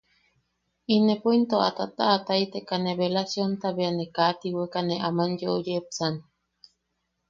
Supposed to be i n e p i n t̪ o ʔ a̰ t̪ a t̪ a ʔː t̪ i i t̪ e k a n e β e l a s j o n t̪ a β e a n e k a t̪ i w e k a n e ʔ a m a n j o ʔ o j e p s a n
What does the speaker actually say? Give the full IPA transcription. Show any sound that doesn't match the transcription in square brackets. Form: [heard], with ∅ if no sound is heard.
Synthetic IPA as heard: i n e p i n t̪ o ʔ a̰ t̪ a t̪ a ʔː t̪ [a] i t̪ e k a n e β e l a s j o n t̪ a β e a n e k a t̪ i w e k a n e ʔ a m a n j o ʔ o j e p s a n